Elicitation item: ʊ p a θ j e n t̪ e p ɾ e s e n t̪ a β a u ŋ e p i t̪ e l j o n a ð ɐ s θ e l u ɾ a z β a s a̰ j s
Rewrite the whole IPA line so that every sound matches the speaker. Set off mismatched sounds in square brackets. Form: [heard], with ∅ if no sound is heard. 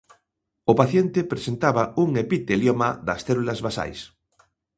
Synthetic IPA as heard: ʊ p a θ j e n t̪ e p ɾ e s e n t̪ a β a u ŋ e p i t̪ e l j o [m] a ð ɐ s θ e l u [l] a z β a s a̰ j s